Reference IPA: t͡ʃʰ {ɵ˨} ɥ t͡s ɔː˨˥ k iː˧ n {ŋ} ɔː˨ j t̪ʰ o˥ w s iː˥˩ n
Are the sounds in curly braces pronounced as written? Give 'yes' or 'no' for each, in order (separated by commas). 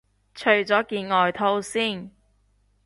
yes, yes